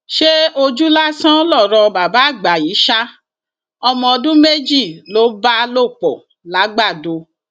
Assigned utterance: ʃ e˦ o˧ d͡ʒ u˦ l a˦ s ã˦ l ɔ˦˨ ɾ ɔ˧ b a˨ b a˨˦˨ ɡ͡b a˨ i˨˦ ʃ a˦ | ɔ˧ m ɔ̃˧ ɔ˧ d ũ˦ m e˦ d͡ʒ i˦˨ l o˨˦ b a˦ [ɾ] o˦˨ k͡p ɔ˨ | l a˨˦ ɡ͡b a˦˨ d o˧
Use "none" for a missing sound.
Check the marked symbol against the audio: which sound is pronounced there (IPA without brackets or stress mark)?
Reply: l